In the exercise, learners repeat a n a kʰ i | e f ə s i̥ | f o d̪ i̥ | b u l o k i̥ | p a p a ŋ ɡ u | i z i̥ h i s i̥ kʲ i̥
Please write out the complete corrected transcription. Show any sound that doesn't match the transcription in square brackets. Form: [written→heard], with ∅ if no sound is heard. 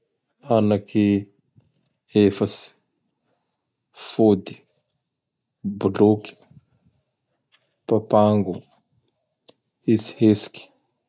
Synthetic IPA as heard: a n a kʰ i | e f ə s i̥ | f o d̪ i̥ | b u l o k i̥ | p a p a ŋ ɡ u | i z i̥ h [i→e] s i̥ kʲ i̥